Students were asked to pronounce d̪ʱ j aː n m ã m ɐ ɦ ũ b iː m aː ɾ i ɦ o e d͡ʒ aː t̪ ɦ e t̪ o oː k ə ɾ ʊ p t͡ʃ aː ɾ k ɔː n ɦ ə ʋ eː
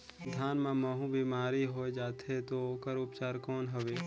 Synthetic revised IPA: d̪ʱ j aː n m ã m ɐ ɦ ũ b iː m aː ɾ i ɦ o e d͡ʒ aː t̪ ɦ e t̪ o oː k ə ɾ ʊ p t͡ʃ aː ɾ k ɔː n ɦ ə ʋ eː